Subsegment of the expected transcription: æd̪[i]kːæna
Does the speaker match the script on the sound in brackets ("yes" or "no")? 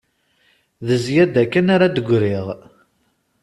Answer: no